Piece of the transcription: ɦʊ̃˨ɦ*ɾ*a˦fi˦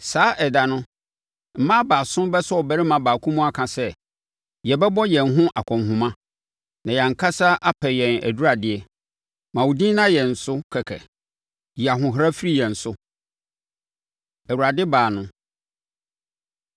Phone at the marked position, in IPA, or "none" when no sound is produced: ɾ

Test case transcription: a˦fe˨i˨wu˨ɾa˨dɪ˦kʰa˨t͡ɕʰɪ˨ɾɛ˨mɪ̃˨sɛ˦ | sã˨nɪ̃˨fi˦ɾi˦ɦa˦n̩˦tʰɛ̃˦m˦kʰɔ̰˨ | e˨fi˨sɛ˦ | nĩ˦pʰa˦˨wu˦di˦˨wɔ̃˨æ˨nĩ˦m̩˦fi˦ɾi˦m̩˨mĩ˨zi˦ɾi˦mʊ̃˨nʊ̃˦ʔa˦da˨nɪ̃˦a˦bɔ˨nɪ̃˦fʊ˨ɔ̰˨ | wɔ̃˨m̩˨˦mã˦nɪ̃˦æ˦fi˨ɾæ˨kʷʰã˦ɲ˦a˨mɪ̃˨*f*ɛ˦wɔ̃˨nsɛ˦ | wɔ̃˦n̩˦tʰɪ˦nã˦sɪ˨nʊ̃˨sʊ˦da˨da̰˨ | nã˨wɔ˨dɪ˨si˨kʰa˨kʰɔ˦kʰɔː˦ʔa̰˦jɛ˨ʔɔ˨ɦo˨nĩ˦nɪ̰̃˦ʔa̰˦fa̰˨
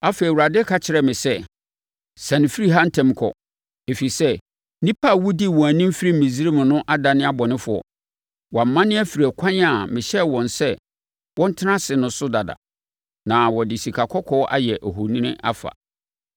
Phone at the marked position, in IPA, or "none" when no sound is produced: ɕ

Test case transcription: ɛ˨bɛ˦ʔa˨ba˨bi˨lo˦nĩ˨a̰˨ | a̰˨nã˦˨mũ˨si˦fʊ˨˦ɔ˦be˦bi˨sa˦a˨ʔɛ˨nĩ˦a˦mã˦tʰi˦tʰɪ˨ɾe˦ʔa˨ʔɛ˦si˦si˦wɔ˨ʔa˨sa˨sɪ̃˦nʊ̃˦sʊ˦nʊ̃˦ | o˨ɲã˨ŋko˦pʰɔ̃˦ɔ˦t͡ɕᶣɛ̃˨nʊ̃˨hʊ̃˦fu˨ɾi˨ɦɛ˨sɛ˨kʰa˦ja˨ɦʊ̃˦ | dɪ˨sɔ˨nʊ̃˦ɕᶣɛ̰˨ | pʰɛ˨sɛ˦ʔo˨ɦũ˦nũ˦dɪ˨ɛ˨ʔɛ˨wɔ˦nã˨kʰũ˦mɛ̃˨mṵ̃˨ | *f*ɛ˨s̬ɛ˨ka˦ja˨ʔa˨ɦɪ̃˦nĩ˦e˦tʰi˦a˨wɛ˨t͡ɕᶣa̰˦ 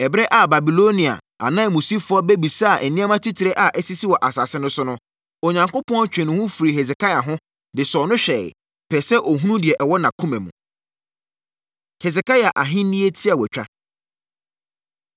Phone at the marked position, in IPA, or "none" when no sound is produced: h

